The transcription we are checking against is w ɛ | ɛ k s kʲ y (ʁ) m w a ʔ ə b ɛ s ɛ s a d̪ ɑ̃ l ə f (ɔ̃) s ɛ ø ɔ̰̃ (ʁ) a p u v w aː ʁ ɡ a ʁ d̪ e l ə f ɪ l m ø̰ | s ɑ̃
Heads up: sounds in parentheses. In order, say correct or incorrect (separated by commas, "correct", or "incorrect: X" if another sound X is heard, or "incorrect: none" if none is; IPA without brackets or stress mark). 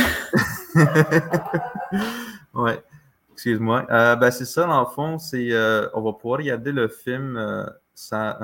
incorrect: z, correct, incorrect: v